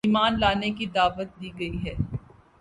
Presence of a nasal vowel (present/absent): absent